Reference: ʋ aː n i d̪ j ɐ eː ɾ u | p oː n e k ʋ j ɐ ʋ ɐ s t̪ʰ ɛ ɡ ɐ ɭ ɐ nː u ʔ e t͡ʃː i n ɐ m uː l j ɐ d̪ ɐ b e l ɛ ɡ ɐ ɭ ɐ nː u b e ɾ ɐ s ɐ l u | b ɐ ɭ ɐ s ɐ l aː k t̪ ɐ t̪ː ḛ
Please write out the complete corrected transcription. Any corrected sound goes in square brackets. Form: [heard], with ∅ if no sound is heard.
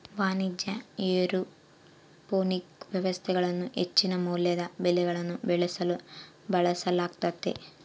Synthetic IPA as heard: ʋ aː n i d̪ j ɐ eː ɾ u | p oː n [i] k ʋ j ɐ ʋ ɐ s t̪ʰ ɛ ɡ ɐ ɭ ɐ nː u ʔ e t͡ʃː i n ɐ m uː l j ɐ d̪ ɐ b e l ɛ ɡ ɐ ɭ ɐ nː u b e [ɭ] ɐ s ɐ l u | b ɐ ɭ ɐ s ɐ l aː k t̪ ɐ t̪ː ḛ